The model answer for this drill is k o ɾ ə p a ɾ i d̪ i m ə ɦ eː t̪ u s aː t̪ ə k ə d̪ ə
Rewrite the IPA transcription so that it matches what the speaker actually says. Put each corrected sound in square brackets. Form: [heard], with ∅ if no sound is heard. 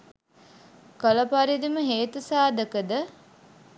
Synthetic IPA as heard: k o [l] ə p a ɾ i d̪ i m ə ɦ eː t̪ u s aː [d̪] ə k ə d̪ ə